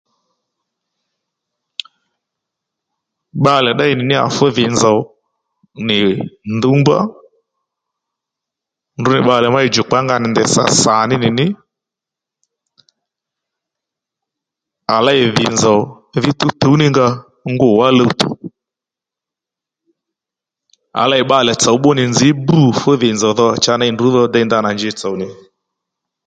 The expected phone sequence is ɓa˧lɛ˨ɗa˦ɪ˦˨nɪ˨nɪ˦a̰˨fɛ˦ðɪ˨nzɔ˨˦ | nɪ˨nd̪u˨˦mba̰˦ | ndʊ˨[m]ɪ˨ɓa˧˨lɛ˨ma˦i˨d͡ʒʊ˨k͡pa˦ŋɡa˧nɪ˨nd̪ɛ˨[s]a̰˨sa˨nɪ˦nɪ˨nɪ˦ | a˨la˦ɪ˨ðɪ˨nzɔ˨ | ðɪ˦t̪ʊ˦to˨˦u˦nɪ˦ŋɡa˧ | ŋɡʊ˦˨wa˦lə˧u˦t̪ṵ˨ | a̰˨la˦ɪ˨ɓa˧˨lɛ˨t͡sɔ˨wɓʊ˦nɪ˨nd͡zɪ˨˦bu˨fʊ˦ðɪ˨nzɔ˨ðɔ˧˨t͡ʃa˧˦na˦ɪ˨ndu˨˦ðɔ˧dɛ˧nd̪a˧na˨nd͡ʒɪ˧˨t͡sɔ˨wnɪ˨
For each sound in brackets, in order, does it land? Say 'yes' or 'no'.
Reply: no, yes

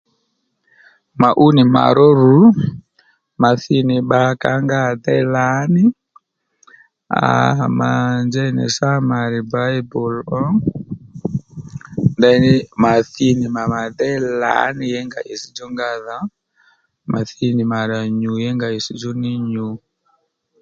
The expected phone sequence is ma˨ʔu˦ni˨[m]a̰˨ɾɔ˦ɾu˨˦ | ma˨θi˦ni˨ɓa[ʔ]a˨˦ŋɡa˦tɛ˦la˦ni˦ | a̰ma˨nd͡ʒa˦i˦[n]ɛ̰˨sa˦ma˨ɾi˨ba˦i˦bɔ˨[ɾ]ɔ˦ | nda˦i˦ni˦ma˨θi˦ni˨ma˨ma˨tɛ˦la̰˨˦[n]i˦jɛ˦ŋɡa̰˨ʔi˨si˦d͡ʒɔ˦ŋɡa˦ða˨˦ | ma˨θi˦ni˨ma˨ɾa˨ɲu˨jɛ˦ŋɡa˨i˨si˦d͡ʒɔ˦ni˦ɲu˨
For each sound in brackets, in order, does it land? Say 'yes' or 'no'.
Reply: yes, no, yes, no, yes

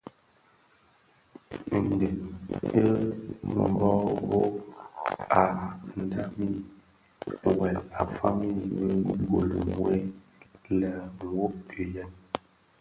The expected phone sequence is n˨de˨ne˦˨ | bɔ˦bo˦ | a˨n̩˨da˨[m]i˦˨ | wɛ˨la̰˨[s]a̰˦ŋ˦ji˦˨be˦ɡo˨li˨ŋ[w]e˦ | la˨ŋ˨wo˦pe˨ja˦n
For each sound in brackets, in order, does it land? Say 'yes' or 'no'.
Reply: yes, no, yes

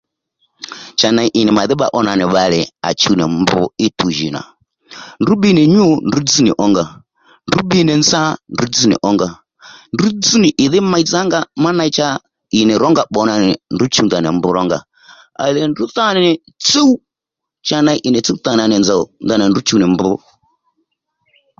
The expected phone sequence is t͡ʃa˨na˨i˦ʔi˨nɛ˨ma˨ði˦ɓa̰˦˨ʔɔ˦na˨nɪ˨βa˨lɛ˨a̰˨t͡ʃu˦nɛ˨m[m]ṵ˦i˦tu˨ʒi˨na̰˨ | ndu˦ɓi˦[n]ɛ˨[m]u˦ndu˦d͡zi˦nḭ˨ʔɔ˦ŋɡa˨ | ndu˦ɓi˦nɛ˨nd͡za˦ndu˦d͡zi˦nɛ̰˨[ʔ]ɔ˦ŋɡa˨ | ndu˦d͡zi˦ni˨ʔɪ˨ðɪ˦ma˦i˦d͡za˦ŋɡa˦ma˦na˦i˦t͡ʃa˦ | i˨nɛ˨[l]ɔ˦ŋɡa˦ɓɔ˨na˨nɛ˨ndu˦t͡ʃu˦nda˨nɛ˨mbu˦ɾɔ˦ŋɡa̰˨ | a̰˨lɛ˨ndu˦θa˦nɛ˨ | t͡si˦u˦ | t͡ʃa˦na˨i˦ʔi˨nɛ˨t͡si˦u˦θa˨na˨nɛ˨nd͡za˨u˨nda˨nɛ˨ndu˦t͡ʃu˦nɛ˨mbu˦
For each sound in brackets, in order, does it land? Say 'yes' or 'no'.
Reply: no, yes, no, yes, no

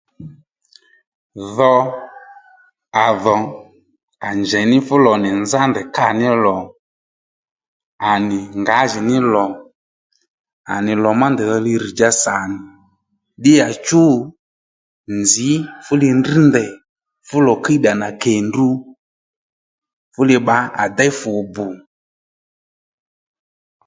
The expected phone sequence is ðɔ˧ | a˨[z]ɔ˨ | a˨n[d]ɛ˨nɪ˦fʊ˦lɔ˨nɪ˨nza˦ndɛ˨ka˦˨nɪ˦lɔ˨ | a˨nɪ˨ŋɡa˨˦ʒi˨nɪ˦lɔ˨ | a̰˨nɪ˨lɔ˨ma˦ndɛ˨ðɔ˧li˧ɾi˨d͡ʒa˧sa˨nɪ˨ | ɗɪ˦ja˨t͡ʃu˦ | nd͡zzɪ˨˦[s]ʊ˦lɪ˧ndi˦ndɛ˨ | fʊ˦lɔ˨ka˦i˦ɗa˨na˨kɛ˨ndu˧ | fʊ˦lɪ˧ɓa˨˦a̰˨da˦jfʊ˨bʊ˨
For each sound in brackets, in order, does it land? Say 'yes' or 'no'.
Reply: no, no, no

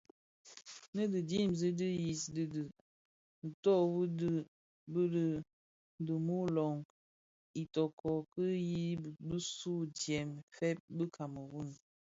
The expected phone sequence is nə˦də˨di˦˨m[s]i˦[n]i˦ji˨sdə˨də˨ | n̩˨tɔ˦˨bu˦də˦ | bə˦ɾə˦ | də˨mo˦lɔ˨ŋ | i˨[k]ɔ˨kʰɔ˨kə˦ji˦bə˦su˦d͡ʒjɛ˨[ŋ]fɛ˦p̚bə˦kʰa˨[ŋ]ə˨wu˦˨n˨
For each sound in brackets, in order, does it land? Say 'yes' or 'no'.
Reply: no, no, no, no, no

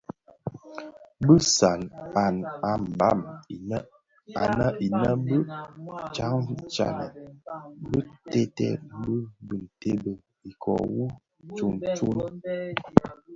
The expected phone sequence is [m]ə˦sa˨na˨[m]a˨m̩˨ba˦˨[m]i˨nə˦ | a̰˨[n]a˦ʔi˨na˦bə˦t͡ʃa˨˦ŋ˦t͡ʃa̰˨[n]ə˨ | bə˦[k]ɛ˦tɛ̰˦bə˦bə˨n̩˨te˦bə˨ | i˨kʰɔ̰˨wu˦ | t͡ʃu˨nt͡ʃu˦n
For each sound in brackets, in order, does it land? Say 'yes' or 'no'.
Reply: no, no, yes, yes, yes, no

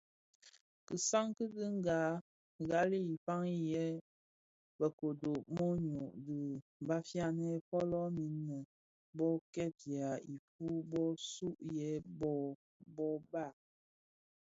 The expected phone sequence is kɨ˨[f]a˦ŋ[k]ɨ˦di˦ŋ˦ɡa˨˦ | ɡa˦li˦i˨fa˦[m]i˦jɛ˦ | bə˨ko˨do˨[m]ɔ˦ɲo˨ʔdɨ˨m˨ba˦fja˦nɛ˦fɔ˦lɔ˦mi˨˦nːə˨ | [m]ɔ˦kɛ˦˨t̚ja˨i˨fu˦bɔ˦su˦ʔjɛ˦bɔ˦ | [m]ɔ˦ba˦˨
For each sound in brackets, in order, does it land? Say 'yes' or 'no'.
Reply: no, yes, no, yes, no, no

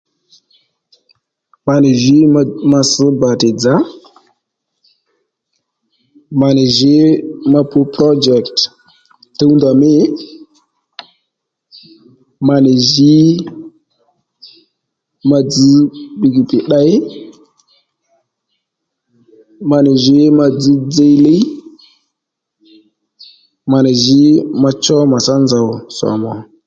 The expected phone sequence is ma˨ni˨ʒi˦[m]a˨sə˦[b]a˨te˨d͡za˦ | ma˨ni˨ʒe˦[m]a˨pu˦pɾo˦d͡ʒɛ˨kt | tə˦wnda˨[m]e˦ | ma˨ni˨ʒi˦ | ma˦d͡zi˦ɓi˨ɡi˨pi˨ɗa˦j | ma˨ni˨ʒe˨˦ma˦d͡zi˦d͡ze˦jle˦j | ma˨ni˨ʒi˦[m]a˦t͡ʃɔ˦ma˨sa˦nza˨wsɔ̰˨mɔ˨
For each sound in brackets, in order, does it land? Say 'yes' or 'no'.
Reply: yes, yes, yes, yes, yes

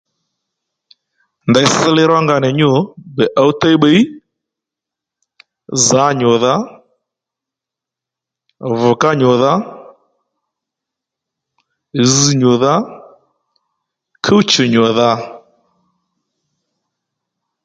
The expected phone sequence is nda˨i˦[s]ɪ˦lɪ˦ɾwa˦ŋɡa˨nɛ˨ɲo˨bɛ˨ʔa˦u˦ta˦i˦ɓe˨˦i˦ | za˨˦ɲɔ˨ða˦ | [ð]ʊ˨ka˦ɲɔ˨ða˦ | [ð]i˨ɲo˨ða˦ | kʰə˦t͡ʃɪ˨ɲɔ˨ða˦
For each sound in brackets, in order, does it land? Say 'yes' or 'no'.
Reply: yes, no, no

